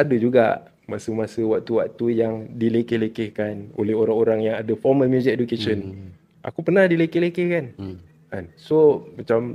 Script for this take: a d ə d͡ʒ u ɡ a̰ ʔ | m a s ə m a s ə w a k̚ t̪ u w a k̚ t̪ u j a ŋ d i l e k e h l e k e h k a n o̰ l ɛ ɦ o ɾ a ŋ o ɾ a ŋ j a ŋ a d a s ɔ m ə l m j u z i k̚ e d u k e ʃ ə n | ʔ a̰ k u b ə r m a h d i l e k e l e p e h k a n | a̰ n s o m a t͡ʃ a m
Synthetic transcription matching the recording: a d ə d͡ʒ u ɡ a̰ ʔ | m a s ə m a s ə w a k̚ t̪ u w a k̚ t̪ u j a ŋ d i l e k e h l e k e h k a n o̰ l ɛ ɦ o ɾ a ŋ o ɾ a ŋ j a ŋ a d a f ɔ m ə l m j u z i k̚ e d u k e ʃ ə n | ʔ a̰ k u p ə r n a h d i l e k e l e k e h k a n | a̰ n s o m a t͡ʃ a m